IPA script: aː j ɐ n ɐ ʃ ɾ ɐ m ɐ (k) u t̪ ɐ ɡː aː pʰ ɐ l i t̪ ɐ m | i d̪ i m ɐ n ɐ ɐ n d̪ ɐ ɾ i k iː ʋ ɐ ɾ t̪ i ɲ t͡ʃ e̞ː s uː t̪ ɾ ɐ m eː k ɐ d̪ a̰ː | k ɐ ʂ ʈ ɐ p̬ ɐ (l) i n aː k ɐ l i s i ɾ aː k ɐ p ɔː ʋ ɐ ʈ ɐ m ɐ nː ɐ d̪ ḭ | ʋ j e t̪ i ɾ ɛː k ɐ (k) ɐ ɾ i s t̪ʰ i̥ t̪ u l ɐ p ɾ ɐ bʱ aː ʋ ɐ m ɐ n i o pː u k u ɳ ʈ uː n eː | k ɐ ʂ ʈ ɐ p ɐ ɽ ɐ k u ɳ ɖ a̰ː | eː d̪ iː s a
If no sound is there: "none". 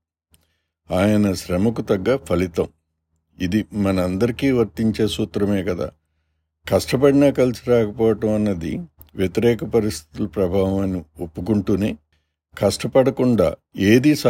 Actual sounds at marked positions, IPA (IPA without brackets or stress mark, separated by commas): k, ɽ, p